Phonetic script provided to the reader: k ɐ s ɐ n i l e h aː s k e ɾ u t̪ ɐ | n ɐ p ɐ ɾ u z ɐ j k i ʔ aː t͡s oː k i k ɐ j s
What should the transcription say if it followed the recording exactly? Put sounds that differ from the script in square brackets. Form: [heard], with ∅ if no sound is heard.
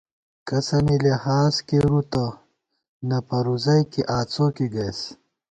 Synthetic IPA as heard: k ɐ s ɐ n i l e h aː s k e ɾ u t̪ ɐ | n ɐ p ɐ ɾ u z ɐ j k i ʔ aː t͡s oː k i [ɡ] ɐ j s

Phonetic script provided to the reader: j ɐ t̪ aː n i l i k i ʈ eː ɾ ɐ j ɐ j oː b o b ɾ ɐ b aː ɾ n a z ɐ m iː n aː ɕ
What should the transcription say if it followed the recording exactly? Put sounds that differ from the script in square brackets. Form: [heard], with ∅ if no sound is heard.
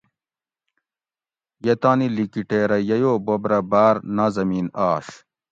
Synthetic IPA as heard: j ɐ t̪ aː n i l i k i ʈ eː ɾ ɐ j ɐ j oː b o b ɾ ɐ b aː ɾ n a z ɐ m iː n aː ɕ

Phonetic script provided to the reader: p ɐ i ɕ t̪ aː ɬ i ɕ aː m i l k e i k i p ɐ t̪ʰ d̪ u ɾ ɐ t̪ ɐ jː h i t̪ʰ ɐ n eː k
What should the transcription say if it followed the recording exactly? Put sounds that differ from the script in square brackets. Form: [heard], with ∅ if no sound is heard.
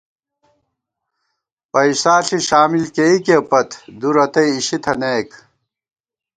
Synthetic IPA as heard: p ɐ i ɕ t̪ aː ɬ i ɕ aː m i l k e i k [e] p ɐ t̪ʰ d̪ u ɾ ɐ t̪ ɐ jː [ɕ] i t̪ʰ ɐ n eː k

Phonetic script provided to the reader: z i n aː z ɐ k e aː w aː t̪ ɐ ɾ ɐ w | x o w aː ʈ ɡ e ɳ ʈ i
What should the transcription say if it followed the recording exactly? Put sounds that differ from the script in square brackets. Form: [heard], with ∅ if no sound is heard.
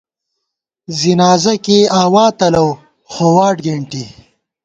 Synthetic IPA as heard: z i n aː z ɐ k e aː w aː t̪ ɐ [l] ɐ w | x o w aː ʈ ɡ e ɳ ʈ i

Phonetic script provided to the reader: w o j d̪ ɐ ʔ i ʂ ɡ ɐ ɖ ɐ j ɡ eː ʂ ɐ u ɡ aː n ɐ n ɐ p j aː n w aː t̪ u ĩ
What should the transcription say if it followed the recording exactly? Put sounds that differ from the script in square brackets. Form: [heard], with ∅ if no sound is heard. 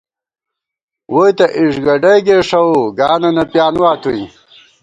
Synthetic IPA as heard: w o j [t̪] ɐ ʔ i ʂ ɡ ɐ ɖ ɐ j ɡ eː ʂ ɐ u ɡ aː n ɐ n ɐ p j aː n w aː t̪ u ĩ

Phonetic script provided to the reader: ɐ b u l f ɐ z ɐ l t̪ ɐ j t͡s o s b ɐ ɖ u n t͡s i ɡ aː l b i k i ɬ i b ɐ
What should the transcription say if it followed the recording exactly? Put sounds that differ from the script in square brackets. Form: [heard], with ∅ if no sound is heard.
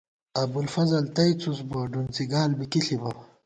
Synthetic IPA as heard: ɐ b u l f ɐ z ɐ l t̪ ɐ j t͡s [u] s b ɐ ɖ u n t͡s i ɡ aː l b i k i ɬ i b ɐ

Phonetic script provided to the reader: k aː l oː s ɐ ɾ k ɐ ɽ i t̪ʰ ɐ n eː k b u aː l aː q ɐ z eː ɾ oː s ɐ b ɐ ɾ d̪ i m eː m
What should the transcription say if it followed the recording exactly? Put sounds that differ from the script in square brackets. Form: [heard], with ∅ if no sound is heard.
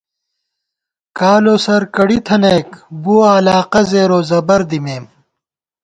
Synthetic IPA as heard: k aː l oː s ɐ ɾ k ɐ ɽ i t̪ʰ ɐ n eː k b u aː l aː q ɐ z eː ɾ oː [z] ɐ b ɐ ɾ d̪ i m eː m

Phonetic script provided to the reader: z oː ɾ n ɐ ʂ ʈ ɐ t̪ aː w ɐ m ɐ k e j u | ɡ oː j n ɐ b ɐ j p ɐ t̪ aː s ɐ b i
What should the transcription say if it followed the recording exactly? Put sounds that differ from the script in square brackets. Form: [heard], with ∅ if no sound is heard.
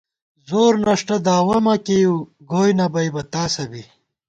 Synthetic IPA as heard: z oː ɾ n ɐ ʂ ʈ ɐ [d̪] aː w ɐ m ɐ k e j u | ɡ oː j n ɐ b ɐ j [b] ɐ t̪ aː s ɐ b i

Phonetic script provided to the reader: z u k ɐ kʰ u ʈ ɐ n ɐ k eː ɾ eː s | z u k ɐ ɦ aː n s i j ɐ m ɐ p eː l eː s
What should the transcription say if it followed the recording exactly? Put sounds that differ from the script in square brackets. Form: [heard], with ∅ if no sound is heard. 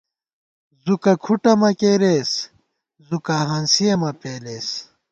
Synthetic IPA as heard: z u k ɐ kʰ u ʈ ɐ [m] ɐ k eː ɾ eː s | z u k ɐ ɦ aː n s i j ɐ m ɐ p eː l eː s

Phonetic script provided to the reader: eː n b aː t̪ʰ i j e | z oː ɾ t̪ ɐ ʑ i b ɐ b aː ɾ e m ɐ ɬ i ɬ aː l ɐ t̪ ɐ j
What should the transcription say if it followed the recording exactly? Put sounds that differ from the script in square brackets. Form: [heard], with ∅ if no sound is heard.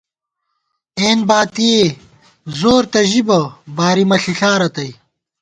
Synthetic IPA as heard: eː n b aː [t̪] i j e | z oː ɾ t̪ ɐ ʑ i b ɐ b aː ɾ [i] m ɐ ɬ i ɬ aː [ɾ] ɐ t̪ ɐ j

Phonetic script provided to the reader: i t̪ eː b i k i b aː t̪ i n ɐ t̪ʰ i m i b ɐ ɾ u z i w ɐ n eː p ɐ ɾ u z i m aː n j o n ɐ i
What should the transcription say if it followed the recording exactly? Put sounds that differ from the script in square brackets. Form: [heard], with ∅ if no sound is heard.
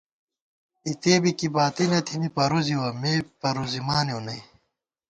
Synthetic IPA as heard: i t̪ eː b i k i b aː t̪ i n ɐ t̪ʰ i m i [p] ɐ ɾ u z i w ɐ [m] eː p ɐ ɾ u z i m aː n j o n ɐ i

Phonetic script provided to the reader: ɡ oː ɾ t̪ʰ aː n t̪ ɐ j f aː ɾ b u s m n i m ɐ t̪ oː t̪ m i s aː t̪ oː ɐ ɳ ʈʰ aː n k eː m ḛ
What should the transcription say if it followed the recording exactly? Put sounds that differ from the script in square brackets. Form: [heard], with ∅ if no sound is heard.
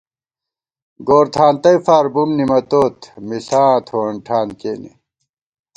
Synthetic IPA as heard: ɡ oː ɾ t̪ʰ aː n t̪ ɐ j f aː ɾ b u [∅] m n i m ɐ t̪ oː t̪ m i s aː [t̪ʰ] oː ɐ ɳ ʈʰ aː n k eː [n] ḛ

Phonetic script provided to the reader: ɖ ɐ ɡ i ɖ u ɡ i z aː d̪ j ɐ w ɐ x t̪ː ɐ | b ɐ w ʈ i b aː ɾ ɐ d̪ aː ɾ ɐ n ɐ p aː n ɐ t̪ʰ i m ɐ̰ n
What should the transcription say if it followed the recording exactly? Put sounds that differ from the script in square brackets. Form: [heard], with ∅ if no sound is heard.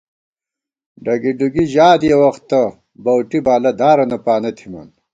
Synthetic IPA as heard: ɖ ɐ ɡ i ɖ u ɡ i [ʑ] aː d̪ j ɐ w ɐ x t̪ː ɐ | b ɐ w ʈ i b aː [l] ɐ d̪ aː ɾ ɐ n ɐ p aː n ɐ t̪ʰ i m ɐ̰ n

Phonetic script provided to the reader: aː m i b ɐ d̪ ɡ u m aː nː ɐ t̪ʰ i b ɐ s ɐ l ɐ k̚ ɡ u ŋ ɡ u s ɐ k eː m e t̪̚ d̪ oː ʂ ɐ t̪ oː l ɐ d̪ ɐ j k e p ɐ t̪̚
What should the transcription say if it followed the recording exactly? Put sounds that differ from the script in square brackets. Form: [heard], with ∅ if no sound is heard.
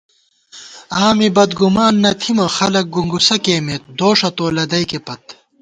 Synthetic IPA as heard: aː m i b ɐ d̪ ɡ u m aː nː ɐ t̪ʰ i [m] ɐ [x] ɐ l ɐ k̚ ɡ u ŋ ɡ u s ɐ k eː m e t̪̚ d̪ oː ʂ ɐ t̪ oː l ɐ d̪ ɐ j k e p ɐ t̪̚

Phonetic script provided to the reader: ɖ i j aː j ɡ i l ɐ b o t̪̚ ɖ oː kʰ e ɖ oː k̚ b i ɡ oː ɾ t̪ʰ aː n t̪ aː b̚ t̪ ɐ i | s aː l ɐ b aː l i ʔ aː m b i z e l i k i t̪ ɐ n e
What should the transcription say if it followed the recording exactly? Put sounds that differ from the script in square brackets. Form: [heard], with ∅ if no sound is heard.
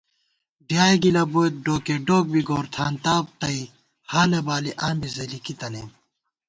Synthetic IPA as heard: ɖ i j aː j ɡ i l ɐ b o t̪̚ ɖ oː [k] e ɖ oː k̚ b i ɡ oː ɾ t̪ʰ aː n t̪ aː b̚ t̪ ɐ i | [h] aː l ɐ b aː l i ʔ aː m b i z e l i k i t̪ ɐ n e

